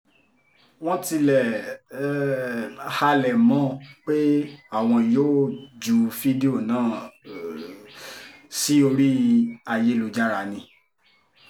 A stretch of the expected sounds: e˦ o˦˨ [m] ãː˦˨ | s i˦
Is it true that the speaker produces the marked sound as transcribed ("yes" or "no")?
no